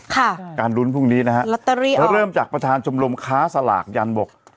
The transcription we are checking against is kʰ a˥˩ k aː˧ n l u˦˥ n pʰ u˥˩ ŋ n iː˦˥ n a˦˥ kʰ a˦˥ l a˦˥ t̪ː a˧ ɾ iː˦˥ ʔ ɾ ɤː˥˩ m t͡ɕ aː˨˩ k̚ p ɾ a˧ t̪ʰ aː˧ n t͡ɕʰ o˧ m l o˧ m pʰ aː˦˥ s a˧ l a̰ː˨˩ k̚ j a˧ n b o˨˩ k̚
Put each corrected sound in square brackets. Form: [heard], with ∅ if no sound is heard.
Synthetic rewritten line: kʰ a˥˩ k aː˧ n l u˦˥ n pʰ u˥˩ ŋ n iː˦˥ n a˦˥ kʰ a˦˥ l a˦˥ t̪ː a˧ ɾ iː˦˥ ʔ ɾ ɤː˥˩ m t͡ɕ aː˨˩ k̚ p ɾ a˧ t̪ʰ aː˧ n t͡ɕʰ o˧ m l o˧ m [kʰ] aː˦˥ s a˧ l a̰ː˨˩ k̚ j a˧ n b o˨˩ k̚